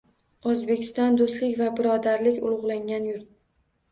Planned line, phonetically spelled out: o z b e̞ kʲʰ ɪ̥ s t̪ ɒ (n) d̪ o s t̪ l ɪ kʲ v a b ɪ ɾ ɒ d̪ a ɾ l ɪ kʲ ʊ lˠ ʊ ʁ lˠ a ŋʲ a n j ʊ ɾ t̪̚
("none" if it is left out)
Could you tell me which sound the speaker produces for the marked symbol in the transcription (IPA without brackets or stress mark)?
n